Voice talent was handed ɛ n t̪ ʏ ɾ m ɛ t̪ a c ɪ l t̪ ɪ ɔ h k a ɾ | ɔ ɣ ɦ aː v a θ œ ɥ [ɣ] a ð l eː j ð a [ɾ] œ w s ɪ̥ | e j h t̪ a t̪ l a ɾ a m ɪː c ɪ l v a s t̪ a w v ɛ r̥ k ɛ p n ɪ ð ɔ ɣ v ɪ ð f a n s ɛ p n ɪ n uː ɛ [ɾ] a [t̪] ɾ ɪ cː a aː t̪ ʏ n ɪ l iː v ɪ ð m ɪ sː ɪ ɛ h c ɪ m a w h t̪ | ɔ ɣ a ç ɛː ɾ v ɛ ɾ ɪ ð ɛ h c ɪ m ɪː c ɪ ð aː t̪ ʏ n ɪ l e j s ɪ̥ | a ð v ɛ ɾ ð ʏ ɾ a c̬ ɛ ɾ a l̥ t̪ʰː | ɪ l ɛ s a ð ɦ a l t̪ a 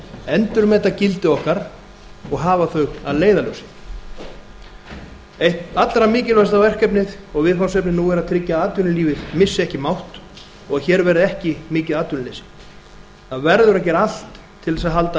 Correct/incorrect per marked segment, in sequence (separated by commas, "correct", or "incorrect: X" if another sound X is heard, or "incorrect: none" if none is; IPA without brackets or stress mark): correct, incorrect: l, correct, incorrect: t̪ʰ